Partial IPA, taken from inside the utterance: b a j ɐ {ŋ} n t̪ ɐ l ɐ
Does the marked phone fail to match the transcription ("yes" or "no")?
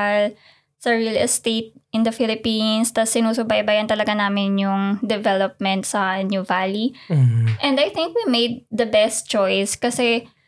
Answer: yes